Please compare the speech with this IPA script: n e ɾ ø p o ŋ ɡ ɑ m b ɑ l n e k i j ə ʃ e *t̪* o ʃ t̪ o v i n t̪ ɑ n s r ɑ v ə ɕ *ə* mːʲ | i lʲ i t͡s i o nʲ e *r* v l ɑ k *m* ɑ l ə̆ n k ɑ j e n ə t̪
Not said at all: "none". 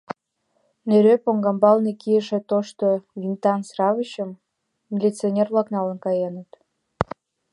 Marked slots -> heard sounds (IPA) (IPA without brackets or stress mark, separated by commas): t̪, ə, r, n